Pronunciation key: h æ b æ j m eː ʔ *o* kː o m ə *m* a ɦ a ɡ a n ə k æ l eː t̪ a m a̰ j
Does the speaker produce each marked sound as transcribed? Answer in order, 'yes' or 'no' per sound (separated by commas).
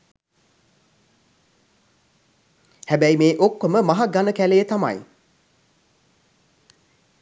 yes, yes